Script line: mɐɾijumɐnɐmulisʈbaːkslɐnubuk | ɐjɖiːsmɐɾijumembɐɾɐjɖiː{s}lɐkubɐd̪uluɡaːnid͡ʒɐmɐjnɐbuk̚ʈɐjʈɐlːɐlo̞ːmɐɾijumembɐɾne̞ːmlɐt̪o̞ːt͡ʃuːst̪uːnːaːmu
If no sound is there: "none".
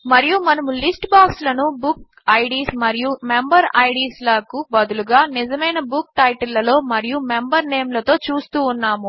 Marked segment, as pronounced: s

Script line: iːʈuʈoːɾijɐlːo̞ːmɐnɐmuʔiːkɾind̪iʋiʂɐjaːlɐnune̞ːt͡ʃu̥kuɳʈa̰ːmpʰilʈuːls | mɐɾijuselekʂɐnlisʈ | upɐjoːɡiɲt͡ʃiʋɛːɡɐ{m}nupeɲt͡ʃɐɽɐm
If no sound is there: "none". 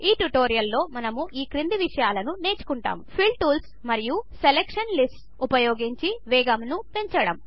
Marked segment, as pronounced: m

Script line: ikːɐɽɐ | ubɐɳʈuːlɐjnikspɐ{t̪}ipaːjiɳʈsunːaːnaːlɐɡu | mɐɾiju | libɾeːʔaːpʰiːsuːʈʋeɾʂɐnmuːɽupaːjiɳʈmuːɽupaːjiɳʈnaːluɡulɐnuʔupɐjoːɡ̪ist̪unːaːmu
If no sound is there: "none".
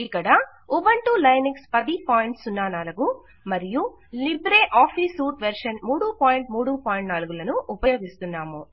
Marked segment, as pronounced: d̪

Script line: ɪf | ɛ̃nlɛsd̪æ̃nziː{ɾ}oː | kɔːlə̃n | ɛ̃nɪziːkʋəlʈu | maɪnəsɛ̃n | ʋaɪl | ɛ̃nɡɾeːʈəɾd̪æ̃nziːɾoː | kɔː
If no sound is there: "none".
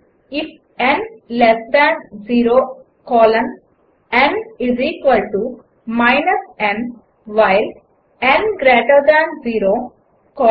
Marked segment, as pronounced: ɾ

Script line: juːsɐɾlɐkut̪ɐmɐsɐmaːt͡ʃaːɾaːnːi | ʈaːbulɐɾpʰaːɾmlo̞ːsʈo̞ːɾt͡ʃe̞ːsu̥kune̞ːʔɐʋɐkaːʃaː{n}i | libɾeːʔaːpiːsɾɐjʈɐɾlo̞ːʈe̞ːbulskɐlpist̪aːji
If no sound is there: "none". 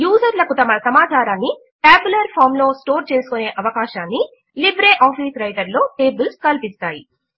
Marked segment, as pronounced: nː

